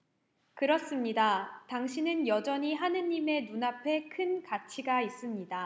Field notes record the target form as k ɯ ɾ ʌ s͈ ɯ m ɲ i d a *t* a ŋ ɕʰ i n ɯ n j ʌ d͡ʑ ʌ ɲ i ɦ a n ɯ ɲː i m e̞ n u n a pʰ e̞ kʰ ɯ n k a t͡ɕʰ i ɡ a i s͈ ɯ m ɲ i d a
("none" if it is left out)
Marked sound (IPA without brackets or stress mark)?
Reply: t